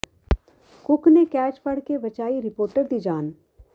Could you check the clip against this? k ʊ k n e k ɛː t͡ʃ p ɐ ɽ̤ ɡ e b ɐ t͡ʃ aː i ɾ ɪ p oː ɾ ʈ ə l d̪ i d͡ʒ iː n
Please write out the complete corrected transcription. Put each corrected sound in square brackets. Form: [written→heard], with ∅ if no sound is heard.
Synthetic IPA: k ʊ k n e k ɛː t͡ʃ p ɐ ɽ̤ [ɡ→k] e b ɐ t͡ʃ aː i ɾ ɪ p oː ɾ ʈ ə [l→ɾ] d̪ i d͡ʒ [iː→aː] n